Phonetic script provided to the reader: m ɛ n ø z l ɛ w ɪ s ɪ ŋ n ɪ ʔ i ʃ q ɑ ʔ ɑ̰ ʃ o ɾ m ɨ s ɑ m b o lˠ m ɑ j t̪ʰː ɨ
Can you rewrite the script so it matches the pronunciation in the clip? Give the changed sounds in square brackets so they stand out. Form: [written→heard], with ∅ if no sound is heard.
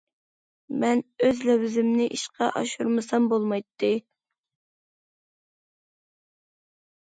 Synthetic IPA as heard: m ɛ n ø z l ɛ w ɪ [s→z] ɪ [ŋ→m] n ɪ ʔ i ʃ q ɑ ʔ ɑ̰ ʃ [o→u] ɾ m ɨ s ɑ m b o lˠ m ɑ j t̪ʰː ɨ

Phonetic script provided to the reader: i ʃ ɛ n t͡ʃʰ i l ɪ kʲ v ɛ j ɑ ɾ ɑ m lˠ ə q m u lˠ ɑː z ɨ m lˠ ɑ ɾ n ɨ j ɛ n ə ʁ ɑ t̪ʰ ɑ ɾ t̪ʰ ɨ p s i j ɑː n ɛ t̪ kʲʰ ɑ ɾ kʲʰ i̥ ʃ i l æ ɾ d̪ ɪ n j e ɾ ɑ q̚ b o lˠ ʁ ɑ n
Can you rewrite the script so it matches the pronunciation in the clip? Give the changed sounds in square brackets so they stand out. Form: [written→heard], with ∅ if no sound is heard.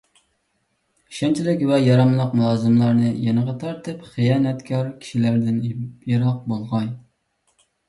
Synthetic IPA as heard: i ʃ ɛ n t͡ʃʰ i l ɪ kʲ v ɛ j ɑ ɾ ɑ m lˠ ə q m u lˠ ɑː z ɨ m lˠ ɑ ɾ n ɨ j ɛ n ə ʁ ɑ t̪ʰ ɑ ɾ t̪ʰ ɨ p [s→χ] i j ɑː n ɛ t̪ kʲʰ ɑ ɾ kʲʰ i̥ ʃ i l æ ɾ d̪ ɪ n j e ɾ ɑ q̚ b o lˠ ʁ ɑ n

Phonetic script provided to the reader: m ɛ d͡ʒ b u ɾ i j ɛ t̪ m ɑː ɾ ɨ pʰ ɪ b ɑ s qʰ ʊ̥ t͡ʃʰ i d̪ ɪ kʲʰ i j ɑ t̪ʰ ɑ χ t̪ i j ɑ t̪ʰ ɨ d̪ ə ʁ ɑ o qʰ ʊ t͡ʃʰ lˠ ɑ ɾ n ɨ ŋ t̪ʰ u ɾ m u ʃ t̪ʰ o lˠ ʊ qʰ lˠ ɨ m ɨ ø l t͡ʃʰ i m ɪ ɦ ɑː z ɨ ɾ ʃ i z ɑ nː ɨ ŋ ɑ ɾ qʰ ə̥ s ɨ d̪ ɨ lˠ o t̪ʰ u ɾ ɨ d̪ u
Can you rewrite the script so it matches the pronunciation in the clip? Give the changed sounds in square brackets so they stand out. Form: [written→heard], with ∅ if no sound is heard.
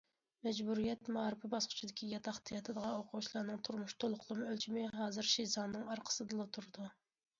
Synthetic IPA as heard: m ɛ d͡ʒ b u ɾ i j ɛ t̪ m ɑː ɾ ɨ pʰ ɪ b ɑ s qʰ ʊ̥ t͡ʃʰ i d̪ ɪ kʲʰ i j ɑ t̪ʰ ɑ χ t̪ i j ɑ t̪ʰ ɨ d̪ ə ʁ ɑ o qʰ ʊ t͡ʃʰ lˠ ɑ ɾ n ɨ ŋ t̪ʰ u ɾ m u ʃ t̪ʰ o lˠ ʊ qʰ lˠ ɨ m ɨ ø l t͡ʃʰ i m ɪ ɦ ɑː z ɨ ɾ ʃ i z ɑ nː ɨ ŋ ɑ ɾ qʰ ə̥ s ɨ d̪ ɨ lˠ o t̪ʰ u ɾ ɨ d̪ u

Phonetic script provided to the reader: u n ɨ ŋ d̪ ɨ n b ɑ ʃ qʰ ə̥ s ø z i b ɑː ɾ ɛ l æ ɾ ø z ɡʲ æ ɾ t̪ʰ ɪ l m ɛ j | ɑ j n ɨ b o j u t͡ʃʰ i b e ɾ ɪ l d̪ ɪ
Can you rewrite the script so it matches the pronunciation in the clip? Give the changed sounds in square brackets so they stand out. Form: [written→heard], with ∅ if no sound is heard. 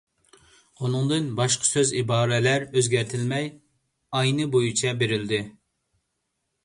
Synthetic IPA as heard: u n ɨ ŋ d̪ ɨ n b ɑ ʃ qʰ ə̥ s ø z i b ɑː ɾ ɛ l æ ɾ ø z ɡʲ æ ɾ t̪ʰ ɪ l m ɛ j | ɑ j n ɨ b o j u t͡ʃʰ [i→ɛ] b e ɾ ɪ l d̪ ɪ

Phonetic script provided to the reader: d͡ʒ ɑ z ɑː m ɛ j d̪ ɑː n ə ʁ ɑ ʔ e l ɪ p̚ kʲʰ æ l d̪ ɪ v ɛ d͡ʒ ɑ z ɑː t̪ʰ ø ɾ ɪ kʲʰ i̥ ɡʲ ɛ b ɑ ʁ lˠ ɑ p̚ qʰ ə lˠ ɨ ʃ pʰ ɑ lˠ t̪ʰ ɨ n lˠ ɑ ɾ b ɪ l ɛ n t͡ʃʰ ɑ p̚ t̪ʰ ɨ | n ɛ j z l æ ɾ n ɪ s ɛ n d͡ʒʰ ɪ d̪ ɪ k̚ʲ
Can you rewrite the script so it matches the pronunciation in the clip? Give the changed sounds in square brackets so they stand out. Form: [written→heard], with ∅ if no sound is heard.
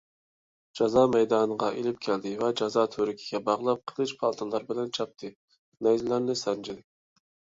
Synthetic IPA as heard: d͡ʒ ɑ z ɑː m ɛ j d̪ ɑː n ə ʁ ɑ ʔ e l ɪ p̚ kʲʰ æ l d̪ ɪ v ɛ d͡ʒ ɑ z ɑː t̪ʰ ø ɾ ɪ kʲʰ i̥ ɡʲ ɛ b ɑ ʁ lˠ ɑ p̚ qʰ ə lˠ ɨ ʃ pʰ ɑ lˠ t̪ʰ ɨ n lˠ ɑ ɾ b ɪ l ɛ n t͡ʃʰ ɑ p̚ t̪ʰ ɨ | n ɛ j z l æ ɾ n ɪ s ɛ n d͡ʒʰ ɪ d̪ ɪ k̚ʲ

